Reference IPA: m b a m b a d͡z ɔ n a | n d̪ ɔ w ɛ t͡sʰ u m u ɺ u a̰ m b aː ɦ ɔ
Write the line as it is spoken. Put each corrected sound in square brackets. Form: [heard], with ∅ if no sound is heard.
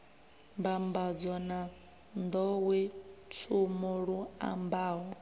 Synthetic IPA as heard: m b a m b a d͡z ɔ n a | n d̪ ɔ w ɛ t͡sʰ u m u ɺ u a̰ m b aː ɦ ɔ